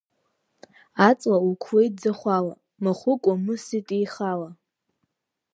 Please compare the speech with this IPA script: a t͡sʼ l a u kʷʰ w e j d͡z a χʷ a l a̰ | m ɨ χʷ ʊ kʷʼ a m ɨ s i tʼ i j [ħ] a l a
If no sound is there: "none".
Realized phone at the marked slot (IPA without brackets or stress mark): χ